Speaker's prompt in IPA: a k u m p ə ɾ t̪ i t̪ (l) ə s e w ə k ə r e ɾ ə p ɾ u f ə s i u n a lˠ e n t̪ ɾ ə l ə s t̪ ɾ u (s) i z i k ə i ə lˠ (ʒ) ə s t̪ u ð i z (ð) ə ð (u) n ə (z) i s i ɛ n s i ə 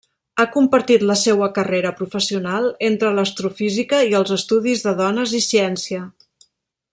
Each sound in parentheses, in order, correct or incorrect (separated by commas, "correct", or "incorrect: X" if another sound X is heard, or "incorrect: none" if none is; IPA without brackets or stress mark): correct, incorrect: f, incorrect: z, correct, incorrect: ɔ, correct